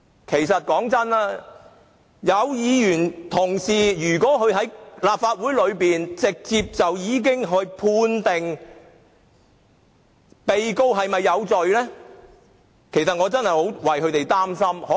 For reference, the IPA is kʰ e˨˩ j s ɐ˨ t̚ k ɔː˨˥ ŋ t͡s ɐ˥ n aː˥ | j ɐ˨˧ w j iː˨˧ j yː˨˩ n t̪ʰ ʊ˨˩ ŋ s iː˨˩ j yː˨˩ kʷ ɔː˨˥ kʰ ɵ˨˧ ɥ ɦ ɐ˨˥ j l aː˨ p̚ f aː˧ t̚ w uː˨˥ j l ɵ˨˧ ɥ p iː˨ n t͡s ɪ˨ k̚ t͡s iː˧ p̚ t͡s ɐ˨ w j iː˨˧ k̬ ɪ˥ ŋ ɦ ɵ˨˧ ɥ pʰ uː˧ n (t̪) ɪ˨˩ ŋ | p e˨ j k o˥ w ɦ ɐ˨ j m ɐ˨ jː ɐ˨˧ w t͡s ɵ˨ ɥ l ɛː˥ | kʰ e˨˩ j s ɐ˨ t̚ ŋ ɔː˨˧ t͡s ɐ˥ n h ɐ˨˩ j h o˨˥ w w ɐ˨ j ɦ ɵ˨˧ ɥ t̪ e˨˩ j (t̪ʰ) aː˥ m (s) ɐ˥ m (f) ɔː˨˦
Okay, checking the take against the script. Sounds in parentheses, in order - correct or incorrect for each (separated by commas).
correct, incorrect, correct, incorrect